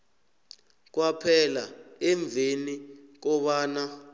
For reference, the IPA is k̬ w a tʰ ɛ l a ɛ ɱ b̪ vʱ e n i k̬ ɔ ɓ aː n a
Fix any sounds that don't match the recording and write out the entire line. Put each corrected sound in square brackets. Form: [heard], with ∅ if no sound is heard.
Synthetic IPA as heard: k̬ w a [pʰ] ɛ l a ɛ ɱ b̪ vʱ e n i k̬ ɔ ɓ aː n a